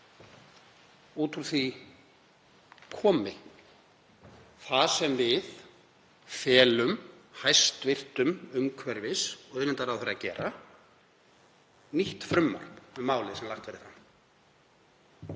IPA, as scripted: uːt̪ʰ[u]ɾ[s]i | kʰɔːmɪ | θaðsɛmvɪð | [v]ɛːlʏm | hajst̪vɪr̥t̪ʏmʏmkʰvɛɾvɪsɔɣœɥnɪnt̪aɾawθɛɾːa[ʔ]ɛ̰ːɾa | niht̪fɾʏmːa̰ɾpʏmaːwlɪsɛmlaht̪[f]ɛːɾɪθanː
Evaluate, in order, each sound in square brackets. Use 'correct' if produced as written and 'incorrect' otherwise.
correct, incorrect, incorrect, incorrect, incorrect

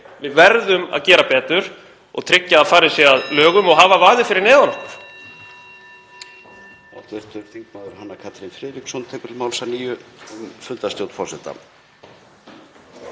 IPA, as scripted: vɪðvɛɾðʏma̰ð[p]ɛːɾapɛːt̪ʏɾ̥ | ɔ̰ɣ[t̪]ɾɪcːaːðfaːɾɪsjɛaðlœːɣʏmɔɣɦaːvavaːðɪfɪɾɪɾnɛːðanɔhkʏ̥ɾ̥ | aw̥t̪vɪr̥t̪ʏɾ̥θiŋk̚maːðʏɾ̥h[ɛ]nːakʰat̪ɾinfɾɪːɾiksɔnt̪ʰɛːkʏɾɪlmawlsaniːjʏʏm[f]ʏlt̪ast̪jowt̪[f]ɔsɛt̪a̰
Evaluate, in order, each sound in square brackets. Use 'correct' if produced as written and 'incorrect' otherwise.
incorrect, incorrect, incorrect, correct, correct

